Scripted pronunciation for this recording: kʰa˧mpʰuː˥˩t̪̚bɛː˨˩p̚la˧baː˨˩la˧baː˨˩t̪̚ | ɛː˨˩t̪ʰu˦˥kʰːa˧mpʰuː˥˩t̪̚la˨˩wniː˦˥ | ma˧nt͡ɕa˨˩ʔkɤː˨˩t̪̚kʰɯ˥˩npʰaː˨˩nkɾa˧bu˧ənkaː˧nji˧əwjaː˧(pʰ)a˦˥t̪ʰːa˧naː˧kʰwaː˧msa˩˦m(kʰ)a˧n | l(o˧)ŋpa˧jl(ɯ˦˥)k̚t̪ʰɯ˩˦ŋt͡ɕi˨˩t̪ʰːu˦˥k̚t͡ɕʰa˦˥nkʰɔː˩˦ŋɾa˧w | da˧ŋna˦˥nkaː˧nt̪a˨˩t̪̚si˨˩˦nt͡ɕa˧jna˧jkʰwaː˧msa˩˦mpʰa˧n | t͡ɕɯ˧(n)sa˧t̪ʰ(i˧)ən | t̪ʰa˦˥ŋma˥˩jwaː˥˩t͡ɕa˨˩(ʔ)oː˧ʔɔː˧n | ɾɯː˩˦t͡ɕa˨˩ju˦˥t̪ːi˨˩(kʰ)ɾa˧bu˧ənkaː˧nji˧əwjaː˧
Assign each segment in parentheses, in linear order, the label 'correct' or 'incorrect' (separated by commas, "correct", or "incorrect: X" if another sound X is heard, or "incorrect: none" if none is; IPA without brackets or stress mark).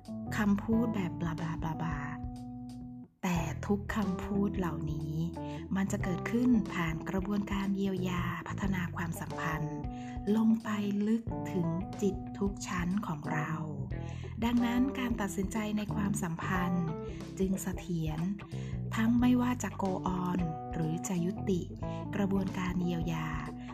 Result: correct, incorrect: pʰ, correct, correct, incorrect: ŋ, incorrect: i˩˦, incorrect: k, incorrect: k